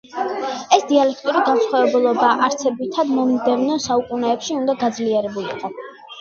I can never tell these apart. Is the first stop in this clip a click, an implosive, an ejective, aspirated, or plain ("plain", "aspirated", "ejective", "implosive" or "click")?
plain